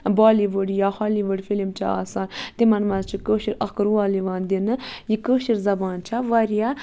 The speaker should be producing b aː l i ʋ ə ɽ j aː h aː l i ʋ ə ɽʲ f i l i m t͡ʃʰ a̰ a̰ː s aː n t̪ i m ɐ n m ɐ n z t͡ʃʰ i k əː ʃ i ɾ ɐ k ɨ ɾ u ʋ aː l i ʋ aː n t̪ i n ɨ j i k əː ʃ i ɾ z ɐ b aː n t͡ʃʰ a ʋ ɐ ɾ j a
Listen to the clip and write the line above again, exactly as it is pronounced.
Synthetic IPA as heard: b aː l i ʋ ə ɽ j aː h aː l i ʋ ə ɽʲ f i l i m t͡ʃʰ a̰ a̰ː s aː n t̪ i m ɐ n m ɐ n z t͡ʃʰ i k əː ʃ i ɾ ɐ k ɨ ɾ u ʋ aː l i ʋ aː n d̪ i n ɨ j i k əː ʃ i ɾ z ɐ b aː n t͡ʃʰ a ʋ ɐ ɾ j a